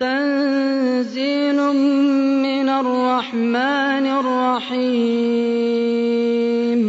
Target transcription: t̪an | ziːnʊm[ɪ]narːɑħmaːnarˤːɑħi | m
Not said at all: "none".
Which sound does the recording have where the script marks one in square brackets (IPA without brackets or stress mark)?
ɪ